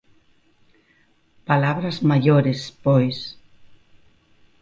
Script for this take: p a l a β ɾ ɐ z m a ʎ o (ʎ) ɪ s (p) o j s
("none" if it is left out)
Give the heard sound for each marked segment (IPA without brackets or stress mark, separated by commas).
ɾ, p